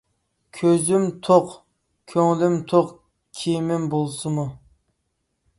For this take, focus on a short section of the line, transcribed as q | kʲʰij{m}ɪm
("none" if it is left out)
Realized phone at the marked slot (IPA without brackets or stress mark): m